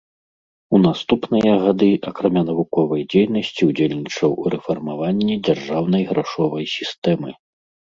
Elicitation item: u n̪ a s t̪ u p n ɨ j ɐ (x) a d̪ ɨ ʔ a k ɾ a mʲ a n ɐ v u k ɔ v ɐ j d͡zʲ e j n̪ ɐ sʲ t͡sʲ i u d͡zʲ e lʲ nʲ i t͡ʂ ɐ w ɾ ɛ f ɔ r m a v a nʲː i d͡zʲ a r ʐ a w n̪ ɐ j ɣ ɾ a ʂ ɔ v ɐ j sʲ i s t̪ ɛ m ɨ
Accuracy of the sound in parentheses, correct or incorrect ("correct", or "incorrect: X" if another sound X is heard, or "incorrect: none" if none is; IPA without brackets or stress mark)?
incorrect: ɣ